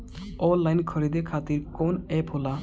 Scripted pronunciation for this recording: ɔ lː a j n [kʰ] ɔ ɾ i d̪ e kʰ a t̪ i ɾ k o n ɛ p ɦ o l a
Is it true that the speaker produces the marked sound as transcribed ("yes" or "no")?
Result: yes